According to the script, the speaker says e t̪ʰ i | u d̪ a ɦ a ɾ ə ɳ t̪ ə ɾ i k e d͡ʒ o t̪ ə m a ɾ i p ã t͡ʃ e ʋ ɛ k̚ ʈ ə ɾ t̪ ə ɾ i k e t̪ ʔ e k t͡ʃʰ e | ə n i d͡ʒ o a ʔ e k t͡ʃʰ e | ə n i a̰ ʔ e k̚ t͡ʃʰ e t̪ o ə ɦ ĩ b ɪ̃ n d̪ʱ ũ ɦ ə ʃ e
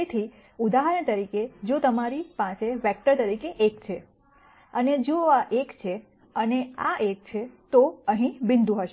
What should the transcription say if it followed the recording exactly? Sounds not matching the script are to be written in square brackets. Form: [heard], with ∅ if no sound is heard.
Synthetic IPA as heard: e t̪ʰ i | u d̪ a ɦ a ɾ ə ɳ t̪ ə ɾ i k e d͡ʒ o t̪ ə m a ɾ i p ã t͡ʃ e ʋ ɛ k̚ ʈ ə ɾ t̪ ə ɾ i k e [∅] ʔ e k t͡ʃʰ e | ə n [e] d͡ʒ o a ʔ e k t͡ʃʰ e | ə n [e] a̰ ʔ e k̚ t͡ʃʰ e t̪ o ə ɦ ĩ b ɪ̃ n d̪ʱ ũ ɦ ə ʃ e